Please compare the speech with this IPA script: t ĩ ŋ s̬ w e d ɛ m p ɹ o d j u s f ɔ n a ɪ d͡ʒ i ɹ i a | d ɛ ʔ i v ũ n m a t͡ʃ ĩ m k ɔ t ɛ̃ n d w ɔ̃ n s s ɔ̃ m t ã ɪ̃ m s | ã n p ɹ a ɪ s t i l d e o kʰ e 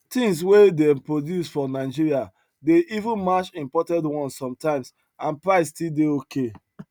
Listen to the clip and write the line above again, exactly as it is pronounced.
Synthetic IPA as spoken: t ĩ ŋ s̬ w e d ɛ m p ɹ o d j u s f ɔ n a ɪ d͡ʒ i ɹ i a | d e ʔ i v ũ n m a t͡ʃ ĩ m p ɔ t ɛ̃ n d w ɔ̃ n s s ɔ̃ m t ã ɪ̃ m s | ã n p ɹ a ɪ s t i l d e o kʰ e